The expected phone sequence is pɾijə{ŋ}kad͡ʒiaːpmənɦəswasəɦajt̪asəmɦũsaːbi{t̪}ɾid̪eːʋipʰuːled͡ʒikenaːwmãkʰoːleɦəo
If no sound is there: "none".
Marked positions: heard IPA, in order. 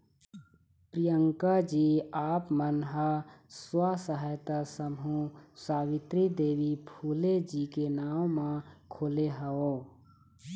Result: ŋ, t̪

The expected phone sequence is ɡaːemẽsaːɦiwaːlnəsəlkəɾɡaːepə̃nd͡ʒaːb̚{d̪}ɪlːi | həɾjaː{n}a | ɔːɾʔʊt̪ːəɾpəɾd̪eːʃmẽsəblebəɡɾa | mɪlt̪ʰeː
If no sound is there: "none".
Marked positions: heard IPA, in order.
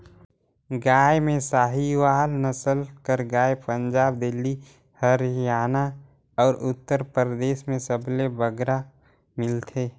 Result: d̪, n

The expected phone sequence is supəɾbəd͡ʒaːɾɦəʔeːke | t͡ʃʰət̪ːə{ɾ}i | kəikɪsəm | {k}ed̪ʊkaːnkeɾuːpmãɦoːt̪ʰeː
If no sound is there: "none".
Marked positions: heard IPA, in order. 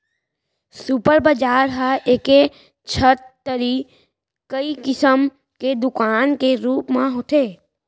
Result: ɾ, k

